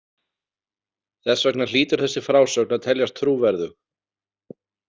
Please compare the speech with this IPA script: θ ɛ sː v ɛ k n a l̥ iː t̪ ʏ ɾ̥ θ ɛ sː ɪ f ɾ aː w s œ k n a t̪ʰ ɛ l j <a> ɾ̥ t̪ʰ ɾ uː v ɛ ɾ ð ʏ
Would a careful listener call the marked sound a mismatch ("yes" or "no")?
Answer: no